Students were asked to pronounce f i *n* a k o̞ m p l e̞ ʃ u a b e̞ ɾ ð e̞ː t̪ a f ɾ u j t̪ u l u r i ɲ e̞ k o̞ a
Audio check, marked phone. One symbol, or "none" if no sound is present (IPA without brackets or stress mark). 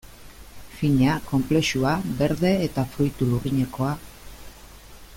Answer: ɲ